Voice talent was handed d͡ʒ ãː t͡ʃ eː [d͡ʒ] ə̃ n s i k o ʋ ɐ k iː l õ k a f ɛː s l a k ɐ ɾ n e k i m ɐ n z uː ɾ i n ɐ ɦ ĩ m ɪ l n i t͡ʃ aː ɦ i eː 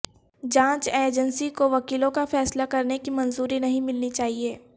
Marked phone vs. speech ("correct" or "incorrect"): correct